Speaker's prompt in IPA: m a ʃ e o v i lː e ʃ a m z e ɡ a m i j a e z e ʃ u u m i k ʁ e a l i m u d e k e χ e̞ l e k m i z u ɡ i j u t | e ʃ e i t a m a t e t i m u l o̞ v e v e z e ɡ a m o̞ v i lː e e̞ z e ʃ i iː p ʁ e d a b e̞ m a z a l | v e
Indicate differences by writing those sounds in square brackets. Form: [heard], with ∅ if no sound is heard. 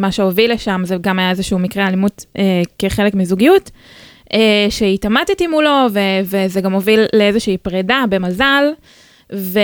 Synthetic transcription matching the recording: m a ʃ e o v i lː e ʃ a m z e ɡ a m [a] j a e z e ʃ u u m i k ʁ e a l i m u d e k e χ e̞ l e k m i z u ɡ i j u t | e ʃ e i t a m a t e t i m u l o̞ v e v e z e ɡ a m o̞ v i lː e e̞ z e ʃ i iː p ʁ e d a b e̞ m a z a l | v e